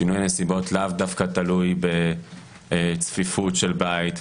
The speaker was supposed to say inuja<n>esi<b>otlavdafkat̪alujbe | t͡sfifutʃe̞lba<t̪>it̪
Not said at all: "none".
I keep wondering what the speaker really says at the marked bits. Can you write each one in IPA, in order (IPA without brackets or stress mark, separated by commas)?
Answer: n, b, none